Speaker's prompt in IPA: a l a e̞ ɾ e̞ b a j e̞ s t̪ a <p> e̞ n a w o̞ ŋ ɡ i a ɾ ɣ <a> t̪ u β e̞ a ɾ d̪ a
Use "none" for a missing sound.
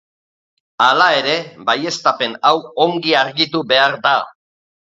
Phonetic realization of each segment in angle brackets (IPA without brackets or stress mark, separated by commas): p, i